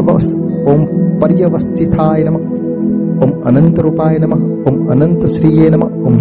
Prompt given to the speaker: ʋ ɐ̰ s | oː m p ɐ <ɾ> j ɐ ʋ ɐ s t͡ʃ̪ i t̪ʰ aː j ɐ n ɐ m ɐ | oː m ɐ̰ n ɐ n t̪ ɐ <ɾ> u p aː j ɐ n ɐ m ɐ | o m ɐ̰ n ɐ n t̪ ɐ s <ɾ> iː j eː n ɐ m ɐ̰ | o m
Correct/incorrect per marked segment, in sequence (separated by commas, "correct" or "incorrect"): correct, correct, correct